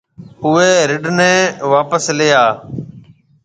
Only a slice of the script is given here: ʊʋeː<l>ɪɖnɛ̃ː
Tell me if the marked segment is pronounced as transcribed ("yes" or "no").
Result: no